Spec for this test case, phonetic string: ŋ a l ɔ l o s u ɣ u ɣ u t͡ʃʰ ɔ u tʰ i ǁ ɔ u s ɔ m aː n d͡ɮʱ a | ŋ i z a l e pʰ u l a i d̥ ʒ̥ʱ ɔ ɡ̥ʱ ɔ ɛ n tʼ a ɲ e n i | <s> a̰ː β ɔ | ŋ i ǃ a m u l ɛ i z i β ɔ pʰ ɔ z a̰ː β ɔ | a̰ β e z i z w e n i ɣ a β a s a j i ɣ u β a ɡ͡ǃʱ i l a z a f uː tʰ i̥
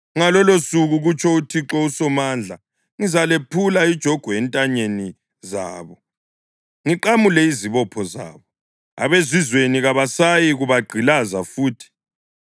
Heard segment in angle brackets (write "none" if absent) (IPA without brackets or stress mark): z